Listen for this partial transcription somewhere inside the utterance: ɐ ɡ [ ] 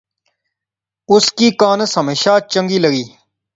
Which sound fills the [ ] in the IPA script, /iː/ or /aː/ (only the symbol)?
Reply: iː